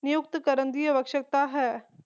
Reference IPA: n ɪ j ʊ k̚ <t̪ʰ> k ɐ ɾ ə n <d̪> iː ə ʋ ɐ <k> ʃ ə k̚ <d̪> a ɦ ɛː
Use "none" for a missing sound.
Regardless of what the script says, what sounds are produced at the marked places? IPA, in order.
t̪, d̪, k, t̪

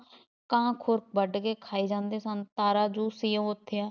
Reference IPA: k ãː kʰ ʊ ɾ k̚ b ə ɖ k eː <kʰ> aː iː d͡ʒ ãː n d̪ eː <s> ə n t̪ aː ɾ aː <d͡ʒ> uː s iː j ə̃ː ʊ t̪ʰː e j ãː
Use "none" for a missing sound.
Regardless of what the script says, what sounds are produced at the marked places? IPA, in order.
kʰ, s, d͡ʒ

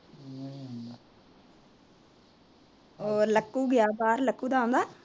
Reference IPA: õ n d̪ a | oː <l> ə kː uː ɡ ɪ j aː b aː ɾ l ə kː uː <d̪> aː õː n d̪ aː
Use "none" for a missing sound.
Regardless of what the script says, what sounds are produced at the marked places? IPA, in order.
l, d̪

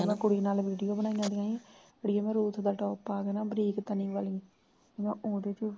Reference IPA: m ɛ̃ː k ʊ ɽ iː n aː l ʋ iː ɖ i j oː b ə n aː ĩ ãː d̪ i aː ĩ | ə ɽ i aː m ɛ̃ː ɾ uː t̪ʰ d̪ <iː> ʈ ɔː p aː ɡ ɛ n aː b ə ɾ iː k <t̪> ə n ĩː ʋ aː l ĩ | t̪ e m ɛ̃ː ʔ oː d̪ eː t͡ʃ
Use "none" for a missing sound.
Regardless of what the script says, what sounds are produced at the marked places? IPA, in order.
aː, t̪

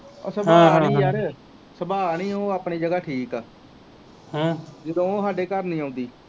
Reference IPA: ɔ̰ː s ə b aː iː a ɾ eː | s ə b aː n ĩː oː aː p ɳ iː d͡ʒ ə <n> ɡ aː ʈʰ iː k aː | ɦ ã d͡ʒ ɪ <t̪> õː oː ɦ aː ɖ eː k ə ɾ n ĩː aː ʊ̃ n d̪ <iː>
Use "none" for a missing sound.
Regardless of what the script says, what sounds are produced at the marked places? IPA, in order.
none, d̪, iː

